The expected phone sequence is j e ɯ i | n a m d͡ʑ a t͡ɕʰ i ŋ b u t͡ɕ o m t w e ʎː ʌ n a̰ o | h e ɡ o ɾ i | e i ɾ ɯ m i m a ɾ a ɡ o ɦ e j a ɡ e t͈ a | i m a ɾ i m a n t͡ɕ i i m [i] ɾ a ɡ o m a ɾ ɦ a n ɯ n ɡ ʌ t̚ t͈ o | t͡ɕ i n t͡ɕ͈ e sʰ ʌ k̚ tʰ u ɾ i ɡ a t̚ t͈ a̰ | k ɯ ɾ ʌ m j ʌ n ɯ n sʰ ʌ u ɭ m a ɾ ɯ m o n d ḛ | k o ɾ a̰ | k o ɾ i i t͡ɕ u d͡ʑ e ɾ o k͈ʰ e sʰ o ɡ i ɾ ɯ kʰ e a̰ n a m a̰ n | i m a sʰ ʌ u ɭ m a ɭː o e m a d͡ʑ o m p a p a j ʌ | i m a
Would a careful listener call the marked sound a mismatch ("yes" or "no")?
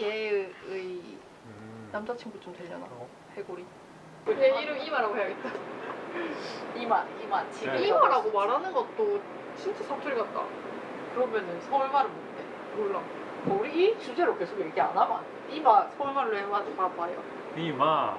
yes